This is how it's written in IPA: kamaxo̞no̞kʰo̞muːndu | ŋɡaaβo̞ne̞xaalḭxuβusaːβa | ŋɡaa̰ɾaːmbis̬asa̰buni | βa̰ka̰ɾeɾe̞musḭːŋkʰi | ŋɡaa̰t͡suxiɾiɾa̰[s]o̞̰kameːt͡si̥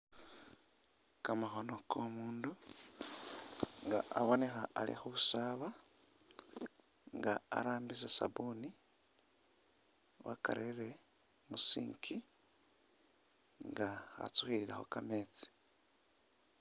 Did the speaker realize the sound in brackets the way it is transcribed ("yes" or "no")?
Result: no